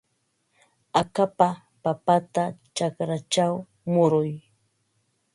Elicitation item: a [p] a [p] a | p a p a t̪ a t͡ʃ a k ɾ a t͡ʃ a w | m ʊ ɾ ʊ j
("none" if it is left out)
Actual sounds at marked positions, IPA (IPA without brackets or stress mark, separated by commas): k, p